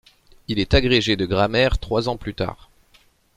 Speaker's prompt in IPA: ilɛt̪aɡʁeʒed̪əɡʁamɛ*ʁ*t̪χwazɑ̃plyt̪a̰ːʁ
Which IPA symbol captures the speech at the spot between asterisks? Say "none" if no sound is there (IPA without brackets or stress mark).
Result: ʁ